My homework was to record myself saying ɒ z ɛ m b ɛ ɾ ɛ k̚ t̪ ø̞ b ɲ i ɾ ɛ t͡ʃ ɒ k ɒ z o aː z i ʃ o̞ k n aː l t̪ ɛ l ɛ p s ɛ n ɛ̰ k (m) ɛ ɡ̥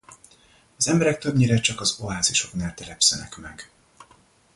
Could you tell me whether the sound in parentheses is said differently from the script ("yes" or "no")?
no